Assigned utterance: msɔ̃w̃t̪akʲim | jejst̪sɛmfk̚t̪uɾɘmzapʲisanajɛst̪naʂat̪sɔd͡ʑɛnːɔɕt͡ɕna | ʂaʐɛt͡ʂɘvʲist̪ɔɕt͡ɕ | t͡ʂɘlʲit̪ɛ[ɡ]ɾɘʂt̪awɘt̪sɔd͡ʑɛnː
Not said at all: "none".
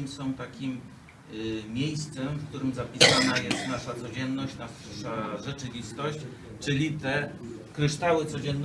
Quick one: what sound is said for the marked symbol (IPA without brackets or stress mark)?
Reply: k